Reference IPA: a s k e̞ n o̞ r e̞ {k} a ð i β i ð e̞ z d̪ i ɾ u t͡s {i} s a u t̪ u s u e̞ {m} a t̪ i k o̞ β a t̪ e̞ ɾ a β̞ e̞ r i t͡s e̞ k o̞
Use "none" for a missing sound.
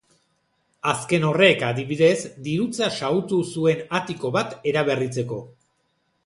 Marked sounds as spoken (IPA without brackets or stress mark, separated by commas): k, a, n